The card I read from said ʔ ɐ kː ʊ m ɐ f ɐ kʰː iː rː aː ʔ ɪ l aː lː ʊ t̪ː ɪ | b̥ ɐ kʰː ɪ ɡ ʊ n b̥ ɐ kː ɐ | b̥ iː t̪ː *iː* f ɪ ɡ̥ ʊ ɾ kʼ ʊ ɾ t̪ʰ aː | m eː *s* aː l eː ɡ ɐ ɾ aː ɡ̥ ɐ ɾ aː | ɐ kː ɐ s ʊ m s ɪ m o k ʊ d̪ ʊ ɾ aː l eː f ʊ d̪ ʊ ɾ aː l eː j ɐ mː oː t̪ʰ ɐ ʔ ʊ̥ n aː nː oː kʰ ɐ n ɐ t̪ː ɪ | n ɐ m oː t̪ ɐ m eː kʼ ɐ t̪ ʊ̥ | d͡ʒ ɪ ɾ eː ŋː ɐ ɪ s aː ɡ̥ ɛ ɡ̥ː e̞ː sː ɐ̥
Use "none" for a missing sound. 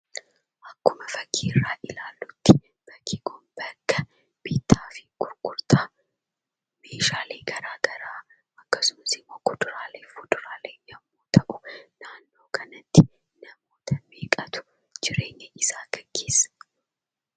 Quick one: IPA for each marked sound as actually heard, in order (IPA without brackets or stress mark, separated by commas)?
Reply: aː, ʃ